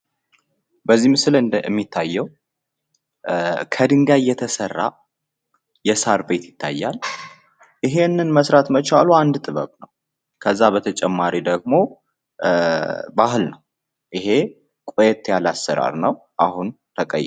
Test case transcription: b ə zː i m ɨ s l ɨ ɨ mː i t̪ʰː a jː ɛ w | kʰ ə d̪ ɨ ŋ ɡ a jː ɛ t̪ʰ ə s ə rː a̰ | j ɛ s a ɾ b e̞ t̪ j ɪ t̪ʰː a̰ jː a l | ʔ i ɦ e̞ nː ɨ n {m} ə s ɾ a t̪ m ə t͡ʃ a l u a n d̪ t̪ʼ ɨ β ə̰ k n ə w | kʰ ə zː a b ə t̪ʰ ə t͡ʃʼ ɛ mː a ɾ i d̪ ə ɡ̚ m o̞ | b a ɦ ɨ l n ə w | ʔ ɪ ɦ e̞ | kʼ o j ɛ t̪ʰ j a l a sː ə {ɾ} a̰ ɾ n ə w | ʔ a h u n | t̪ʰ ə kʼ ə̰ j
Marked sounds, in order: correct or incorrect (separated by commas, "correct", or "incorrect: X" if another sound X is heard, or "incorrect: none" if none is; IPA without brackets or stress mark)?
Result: correct, correct